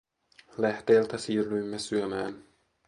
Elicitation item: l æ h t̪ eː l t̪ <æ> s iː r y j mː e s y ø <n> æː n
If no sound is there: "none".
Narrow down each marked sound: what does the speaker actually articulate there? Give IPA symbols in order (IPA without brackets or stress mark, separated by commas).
æ, m